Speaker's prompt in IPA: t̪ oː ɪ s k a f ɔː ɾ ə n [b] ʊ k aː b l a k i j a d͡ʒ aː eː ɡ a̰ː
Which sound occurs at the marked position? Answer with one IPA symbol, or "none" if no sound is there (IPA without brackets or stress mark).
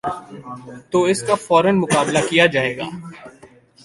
m